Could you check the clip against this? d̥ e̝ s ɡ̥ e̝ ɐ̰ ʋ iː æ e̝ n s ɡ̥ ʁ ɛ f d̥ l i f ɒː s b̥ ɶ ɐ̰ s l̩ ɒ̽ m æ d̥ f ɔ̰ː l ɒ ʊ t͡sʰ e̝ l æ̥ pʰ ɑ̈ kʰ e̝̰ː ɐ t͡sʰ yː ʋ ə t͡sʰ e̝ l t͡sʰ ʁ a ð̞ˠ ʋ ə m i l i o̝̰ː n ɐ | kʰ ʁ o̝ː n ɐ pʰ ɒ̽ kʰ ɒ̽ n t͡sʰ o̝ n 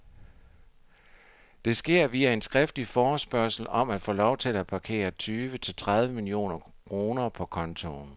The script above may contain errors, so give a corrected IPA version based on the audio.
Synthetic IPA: d̥ e̝ s ɡ̥ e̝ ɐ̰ ʋ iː æ e̝ n s ɡ̥ ʁ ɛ f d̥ l i f ɒː s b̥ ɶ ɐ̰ s l̩ ɒ̽ m æ d̥ f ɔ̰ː l ɒ ʊ t͡sʰ e̝ l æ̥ pʰ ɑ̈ kʰ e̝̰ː ɐ t͡sʰ yː ʋ ə t͡sʰ e̝ l t͡sʰ ʁ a ð̞ˠ ʋ ə m i l i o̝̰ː n ɐ | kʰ ʁ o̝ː n ɐ pʰ ɒ̽ kʰ ɒ̽ n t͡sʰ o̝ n